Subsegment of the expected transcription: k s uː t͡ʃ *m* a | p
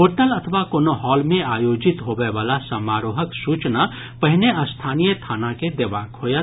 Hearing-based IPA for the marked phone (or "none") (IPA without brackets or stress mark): n